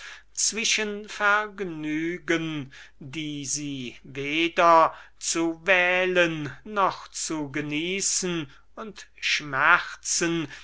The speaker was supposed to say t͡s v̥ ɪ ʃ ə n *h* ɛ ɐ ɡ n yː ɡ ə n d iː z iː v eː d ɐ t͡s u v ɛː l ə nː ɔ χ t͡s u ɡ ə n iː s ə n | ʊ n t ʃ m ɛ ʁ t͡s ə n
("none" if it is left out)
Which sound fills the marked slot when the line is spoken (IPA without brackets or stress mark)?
f